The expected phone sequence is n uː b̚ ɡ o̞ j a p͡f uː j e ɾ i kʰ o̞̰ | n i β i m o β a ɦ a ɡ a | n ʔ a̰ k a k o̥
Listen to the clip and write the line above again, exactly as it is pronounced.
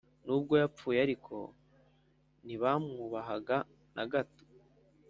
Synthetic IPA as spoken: n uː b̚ ɡ o̞ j a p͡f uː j a ɾ i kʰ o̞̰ | n i β a m u β a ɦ a ɡ a | n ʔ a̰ ɡ a t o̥